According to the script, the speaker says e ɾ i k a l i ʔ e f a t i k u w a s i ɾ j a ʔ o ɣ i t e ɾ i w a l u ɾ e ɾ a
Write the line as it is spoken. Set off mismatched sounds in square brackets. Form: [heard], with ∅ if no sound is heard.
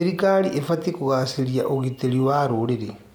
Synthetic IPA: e ɾ i k a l i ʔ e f a t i k u [ɣ] a s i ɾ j a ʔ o ɣ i t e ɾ i w a [ɾ] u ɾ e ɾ [e]